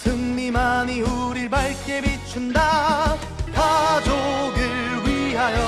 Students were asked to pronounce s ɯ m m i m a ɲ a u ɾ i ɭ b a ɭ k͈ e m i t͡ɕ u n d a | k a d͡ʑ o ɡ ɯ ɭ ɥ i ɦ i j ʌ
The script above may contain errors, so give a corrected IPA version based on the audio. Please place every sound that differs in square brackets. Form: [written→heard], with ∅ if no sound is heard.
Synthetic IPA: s ɯ [m→ŋ] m i m a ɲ [a→i] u ɾ i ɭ b a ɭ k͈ e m i [t͡ɕ→t͡ɕʰ] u n d a | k a d͡ʑ o ɡ ɯ ɭ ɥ i ɦ [i→a] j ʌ